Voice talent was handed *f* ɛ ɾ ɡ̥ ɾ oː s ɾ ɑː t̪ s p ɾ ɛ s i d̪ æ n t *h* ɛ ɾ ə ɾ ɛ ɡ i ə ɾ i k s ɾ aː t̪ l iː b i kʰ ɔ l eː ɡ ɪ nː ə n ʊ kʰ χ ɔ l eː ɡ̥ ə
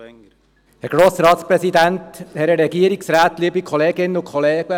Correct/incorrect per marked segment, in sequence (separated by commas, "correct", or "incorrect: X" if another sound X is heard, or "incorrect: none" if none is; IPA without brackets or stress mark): incorrect: h, correct